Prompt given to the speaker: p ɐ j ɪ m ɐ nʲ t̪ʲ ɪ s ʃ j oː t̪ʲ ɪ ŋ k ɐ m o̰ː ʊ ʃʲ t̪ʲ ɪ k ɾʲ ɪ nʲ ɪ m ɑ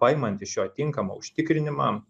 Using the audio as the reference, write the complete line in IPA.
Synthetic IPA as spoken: p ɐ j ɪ m ɐ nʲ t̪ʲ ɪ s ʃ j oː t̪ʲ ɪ ŋ k ɐ m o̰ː ʊ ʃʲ t̪ʲ ɪ k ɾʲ ɪ nʲ ɪ m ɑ